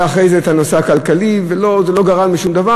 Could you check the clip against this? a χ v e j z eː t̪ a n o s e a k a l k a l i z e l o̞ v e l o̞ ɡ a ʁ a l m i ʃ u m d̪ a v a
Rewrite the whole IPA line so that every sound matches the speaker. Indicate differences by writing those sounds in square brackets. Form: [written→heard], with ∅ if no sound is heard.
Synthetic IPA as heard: a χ [v→ʁ] e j z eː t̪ a n o s e a k a l k a l i [z→v] e l o̞ [v→z] e l o̞ ɡ a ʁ a l m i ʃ u m d̪ a v a